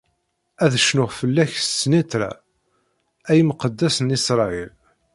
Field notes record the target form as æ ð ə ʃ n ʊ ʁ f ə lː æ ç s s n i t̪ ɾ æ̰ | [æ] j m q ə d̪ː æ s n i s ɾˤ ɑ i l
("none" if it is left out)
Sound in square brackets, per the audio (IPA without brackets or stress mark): æ